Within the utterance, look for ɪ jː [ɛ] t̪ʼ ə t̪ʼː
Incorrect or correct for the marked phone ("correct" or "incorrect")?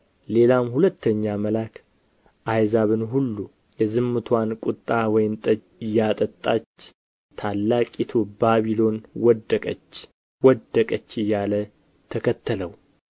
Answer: incorrect